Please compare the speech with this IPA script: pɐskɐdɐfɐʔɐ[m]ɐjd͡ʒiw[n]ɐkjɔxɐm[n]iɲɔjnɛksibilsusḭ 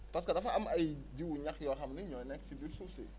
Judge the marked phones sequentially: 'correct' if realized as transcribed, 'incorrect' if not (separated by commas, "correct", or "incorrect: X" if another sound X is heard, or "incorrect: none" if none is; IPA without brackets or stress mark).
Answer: correct, incorrect: ɲ, correct